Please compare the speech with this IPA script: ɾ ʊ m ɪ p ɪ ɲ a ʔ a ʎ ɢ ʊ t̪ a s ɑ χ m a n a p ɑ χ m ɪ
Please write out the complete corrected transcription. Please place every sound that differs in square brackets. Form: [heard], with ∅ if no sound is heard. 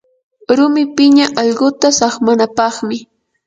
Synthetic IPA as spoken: ɾ ʊ m ɪ p ɪ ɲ a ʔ [ɑ] ʎ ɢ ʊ t̪ a s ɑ χ m a n a p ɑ χ m ɪ